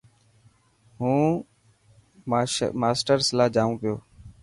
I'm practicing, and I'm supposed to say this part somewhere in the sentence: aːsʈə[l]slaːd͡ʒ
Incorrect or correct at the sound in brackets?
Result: incorrect: ɾ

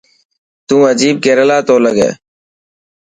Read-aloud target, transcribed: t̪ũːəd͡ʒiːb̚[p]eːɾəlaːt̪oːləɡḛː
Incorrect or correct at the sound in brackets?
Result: incorrect: k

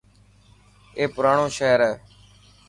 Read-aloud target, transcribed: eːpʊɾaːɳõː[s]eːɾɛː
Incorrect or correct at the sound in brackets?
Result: incorrect: ʃ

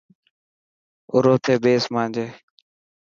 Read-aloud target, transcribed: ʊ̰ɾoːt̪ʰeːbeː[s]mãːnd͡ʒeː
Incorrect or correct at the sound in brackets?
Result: correct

